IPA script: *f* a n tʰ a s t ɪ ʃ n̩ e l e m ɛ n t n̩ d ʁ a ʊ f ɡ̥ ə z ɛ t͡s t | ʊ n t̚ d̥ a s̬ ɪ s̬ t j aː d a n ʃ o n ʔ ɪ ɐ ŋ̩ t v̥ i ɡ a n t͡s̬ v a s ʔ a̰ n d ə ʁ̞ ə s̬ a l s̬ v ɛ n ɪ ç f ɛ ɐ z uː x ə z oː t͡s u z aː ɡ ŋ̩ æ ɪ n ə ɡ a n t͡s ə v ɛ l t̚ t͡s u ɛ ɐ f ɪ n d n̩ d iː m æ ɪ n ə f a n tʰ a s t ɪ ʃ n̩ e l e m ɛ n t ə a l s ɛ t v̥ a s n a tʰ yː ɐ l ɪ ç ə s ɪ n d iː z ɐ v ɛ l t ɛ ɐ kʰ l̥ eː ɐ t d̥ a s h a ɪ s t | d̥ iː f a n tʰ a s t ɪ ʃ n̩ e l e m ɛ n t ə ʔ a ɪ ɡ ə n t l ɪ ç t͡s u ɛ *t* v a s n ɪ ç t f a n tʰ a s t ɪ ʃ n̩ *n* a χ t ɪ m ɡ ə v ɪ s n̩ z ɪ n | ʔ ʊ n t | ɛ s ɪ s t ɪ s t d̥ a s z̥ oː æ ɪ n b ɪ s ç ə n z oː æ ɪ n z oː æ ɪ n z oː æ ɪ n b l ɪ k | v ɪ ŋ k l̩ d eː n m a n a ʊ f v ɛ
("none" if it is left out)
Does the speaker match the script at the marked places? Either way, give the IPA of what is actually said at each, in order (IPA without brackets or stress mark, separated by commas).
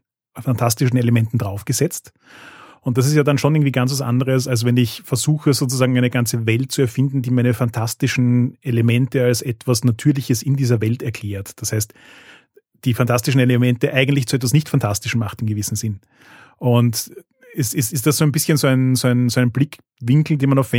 f, t, m